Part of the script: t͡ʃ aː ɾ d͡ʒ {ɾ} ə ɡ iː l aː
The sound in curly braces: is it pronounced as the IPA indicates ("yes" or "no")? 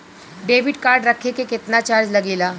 no